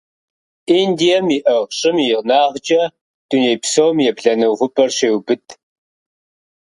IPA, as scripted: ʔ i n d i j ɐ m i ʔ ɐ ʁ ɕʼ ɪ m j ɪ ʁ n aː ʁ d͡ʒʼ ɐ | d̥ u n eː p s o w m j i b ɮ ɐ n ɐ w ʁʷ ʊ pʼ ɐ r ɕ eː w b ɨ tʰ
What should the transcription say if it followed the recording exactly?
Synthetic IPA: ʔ i n d i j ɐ m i ʔ ɐ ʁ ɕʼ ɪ m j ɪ ʁ n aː ʁ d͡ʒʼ ɐ | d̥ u n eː p s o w m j ɛ b ɮ ɐ n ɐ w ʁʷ ʊ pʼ ɐ r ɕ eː w b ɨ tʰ

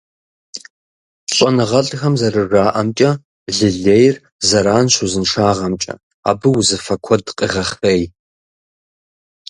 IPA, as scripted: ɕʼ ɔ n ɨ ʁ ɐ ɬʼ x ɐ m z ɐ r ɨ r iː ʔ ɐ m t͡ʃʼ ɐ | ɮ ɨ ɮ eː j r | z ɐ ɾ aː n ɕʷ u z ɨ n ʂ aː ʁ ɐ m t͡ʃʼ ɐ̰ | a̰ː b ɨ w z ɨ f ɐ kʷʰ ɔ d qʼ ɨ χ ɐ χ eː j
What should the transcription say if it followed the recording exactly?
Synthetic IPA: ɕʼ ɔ n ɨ ʁ ɐ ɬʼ x ɐ m z ɐ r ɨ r aː ʔ ɐ m t͡ʃʼ ɐ | ɮ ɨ ɮ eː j r | z ɐ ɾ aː n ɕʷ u z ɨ n ʂ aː ʁ ɐ m t͡ʃʼ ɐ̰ | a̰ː b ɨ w z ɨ f ɐ kʷʰ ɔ d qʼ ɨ ʁ ɐ χ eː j

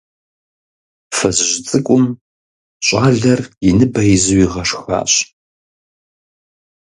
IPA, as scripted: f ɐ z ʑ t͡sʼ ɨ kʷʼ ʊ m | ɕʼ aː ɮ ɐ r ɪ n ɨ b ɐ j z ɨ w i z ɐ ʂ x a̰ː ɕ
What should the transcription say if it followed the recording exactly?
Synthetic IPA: f ɐ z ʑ t͡sʼ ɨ kʷʼ ʊ m | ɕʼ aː ɮ ɐ r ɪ n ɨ b ɐ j z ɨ w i ʁ ɐ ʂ x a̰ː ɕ

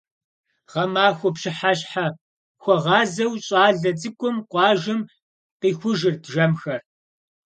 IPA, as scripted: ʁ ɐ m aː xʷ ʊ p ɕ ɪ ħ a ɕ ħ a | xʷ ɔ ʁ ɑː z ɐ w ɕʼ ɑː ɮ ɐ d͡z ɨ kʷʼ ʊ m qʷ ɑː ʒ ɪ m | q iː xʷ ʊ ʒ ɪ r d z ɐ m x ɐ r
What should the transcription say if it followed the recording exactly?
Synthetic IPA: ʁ ɐ m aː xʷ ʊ p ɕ ɪ ħ a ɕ ħ a | xʷ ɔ ʁ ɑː z ɐ w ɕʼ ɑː ɮ ɐ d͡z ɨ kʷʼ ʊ m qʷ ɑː ʒ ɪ m | q iː xʷ ʊ ʒ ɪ r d ʒ ɐ m x ɐ r

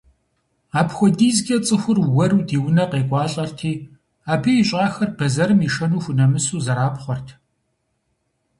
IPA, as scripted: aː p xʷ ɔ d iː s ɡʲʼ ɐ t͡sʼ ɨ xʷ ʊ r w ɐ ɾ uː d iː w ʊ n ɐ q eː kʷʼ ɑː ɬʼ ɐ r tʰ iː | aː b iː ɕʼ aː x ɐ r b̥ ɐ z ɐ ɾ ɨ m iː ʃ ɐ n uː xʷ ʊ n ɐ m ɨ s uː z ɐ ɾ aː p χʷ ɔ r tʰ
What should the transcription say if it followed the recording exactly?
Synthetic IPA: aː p xʷ ɔ d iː z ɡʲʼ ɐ t͡sʼ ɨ xʷ ʊ r w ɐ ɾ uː d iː w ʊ n ɐ q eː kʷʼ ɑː ɬʼ ɐ r tʰ iː | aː b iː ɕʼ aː x ɐ r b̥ ɐ z ɐ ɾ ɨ m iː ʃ ɐ n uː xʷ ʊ n ɐ m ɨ s uː z ɐ ɾ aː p χʷ ɔ r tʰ

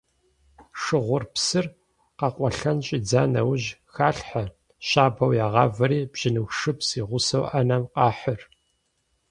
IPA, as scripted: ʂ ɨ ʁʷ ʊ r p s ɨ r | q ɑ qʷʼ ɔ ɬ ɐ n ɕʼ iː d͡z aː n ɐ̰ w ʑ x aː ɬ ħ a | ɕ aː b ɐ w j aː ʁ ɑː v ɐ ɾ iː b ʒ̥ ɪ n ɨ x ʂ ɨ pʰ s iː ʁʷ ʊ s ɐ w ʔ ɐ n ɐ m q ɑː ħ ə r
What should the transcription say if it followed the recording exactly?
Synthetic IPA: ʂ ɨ ʁʷ ʊ r p s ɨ r | q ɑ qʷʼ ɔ ɬ ɐ n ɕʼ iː d͡z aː n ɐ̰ w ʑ x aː ɬ ħ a | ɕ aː b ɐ w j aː ʁ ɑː v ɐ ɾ iː b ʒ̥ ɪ n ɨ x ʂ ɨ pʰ s iː ʁʷ ʊ s ɐ w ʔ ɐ n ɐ m q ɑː ħ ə r

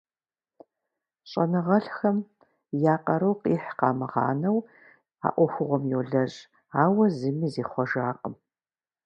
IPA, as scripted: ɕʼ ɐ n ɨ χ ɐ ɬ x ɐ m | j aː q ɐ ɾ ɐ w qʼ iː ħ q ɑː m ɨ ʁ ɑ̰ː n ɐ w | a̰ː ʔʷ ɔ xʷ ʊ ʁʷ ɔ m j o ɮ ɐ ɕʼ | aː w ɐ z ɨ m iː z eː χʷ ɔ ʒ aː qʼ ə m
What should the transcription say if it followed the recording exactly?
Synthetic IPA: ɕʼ ɐ n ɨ ʁ ɐ ɬ x ɐ m | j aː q ɐ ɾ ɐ w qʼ iː ħ q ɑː m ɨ ʁ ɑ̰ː n ɐ w | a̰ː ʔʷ ɔ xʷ ʊ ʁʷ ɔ m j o ɮ ɐ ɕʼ | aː w ɐ z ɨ m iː z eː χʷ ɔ ʒ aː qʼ ə m

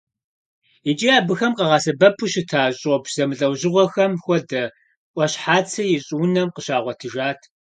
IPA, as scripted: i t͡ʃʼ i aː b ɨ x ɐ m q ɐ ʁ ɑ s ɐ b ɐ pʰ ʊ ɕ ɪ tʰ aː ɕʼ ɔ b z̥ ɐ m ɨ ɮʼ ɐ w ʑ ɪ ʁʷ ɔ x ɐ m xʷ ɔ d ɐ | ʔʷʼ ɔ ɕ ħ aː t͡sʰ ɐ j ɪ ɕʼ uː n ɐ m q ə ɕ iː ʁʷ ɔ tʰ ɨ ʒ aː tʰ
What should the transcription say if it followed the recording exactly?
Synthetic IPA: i t͡ʃʼ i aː b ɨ x ɐ m q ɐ ʁ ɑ s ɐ b ɐ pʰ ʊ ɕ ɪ tʰ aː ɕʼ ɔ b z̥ ɐ m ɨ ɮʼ ɐ w ʑ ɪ ʁʷ ɔ x ɐ m xʷ ɔ d ɐ | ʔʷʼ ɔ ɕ ħ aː t͡sʰ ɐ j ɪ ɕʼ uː n ɐ m q ə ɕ aː ʁʷ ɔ tʰ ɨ ʒ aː tʰ

